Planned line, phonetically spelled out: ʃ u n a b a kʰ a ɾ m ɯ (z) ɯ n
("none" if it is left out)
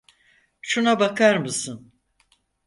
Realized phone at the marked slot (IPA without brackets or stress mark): s